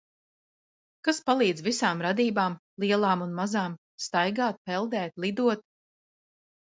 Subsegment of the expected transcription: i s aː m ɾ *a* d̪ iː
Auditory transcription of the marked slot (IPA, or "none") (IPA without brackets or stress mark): a